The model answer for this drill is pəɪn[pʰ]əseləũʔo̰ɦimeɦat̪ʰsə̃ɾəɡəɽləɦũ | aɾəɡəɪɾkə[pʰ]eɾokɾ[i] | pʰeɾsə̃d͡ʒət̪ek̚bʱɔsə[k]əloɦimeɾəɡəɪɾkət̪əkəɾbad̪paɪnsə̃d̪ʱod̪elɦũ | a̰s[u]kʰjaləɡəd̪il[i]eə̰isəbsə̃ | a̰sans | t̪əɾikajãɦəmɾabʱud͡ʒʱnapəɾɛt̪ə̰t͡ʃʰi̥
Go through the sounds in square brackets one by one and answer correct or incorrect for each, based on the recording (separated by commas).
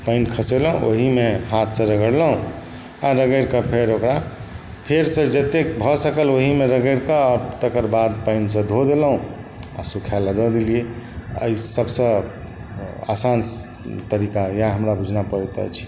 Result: incorrect, correct, incorrect, correct, correct, correct